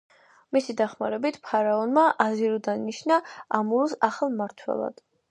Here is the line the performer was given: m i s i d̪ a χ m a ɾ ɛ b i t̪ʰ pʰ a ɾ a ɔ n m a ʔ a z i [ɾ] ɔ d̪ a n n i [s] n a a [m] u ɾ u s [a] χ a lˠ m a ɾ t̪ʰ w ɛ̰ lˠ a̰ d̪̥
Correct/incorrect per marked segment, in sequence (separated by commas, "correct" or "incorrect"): correct, incorrect, correct, correct